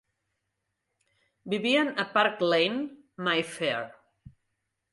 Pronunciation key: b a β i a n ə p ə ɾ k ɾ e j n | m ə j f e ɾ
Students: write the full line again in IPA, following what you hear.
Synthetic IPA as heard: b i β i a n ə p a ɾ k l e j n | m a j f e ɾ

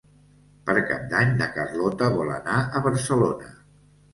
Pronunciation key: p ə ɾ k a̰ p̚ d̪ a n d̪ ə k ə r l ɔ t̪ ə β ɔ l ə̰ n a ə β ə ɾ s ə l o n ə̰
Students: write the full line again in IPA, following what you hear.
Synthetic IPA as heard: p ə ɾ k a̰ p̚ d̪ a ɲ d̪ ə k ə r l ɔ t̪ ə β ɔ l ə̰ n a ə β ə ɾ s ə l o n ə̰

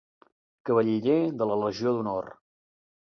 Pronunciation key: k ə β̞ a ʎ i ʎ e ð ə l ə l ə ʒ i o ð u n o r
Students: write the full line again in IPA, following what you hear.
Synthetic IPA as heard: k ə β̞ ə ʎ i ʎ e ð ə l ə l ə ʒ i o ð u n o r

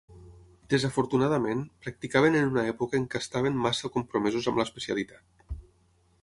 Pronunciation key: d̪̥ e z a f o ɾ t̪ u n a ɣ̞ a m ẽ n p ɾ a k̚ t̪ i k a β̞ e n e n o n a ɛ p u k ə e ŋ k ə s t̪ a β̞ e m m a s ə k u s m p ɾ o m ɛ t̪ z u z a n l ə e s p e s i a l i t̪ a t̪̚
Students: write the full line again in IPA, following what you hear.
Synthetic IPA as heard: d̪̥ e z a f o ɾ t̪ u n a ð̞ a m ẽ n p ɾ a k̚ t̪ i k a β̞ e n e n u n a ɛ p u k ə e ŋ k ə s t̪ a β̞ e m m a s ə k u m p ɾ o m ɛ z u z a m l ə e s p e s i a l i t̪ a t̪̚

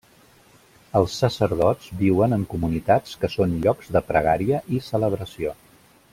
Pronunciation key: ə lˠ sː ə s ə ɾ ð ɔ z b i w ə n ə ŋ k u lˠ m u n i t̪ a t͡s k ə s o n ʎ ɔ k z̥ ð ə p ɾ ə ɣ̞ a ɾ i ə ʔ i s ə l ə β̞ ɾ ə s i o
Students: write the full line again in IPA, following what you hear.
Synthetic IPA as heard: ə lˠ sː ə s ə ɾ ð ɔ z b i w ə n ə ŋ k u m u n i t̪ a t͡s k ə s o n ʎ ɔ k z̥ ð ə p ɾ ə ɣ̞ a ɾ i ə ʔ i s ə l ə β̞ ɾ ə s i o

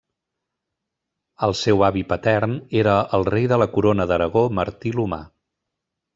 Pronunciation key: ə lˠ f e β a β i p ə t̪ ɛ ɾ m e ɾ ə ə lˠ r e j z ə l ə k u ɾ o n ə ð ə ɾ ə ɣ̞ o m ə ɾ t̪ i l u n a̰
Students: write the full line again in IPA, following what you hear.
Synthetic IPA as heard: ə lˠ s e w a β i p ə t̪ ɛ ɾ n e ɾ ə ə lˠ r e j ð ə l ə k u ɾ o n ə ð ə ɾ ə ɣ̞ o m ə ɾ t̪ i l u m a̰

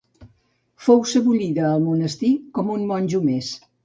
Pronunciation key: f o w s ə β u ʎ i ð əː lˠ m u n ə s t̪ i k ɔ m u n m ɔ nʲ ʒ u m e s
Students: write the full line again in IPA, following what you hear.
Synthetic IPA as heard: f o w s ə β u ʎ i ð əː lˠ m u n ə s t̪ i k ɔ m u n m ɔ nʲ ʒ u m e s

